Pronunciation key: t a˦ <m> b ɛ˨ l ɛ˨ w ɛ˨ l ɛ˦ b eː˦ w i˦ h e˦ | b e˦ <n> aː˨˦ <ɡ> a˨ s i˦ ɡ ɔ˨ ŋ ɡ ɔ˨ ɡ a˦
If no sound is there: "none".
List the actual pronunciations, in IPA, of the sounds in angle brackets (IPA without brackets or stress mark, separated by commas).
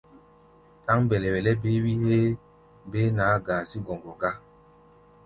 ŋ, n, ɡ